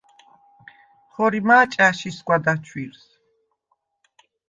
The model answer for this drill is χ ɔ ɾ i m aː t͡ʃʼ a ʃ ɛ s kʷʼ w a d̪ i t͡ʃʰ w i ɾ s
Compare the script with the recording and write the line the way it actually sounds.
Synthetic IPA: χ ɔ ɾ i m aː t͡ʃʼ a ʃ i s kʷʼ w a d̪ a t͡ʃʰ w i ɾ s